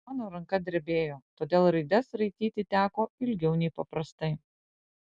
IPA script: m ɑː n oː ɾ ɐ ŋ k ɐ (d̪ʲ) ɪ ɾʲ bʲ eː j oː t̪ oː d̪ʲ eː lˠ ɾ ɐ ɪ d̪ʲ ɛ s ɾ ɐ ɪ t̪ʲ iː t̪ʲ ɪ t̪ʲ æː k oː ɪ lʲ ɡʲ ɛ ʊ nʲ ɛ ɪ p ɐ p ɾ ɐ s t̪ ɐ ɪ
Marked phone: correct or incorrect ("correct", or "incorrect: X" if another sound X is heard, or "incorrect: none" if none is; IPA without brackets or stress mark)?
correct